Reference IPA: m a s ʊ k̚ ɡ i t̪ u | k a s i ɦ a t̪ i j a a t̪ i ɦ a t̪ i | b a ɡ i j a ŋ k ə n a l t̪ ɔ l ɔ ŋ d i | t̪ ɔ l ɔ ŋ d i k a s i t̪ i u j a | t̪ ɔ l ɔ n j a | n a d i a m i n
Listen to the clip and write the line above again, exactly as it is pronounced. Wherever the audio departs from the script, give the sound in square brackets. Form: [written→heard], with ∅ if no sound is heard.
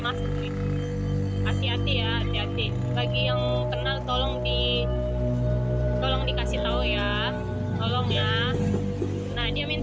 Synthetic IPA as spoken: m a s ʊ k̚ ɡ i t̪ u | k a s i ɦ a t̪ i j a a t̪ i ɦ a t̪ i | b a ɡ i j a ŋ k ə n a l t̪ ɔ l ɔ ŋ d i | t̪ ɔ l ɔ ŋ d i k a s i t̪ [i→a] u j a | t̪ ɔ l ɔ [n→ŋ] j a | n a d i a m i n